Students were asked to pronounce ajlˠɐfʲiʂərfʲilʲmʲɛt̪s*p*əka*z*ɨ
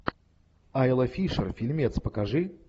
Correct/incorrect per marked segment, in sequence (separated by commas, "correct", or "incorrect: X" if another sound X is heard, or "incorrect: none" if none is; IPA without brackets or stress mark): correct, incorrect: ʐ